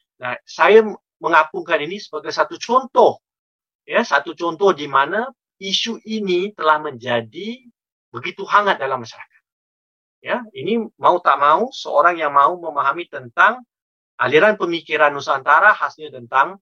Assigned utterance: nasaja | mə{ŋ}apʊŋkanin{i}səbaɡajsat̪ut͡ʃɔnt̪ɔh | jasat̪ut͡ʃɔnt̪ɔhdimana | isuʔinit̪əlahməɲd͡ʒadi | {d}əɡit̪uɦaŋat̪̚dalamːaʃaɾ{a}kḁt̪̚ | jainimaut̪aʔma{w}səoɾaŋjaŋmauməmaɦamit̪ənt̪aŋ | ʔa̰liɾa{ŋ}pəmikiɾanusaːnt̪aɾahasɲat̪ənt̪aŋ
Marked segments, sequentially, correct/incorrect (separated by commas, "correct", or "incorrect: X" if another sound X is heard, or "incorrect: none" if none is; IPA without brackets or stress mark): correct, correct, incorrect: b, correct, incorrect: u, incorrect: n